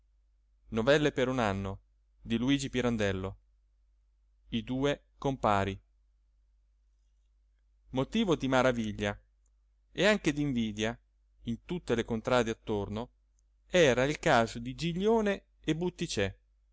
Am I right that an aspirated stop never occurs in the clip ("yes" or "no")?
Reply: yes